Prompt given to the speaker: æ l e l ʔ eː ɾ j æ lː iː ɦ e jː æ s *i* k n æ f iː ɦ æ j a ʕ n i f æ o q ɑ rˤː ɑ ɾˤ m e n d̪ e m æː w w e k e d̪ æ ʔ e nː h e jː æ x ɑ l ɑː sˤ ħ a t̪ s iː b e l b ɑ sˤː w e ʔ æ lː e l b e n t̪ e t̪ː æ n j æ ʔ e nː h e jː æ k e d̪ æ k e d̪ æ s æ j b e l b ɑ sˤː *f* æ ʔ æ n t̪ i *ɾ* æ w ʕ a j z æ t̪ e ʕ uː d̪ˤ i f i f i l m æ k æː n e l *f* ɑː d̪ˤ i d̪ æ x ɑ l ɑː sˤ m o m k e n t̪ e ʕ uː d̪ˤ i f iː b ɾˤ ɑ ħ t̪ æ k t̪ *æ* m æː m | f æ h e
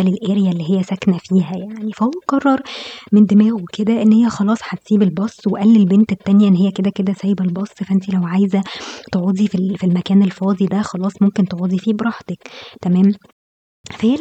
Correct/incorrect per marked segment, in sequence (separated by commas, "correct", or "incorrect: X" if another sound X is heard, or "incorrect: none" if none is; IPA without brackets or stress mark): incorrect: æ, correct, incorrect: l, correct, correct